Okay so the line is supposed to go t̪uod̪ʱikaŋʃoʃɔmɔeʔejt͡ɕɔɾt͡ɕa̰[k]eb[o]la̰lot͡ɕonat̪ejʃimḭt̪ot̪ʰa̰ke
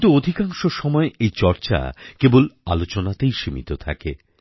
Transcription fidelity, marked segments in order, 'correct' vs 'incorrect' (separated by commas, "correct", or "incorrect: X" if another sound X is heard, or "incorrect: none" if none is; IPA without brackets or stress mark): correct, correct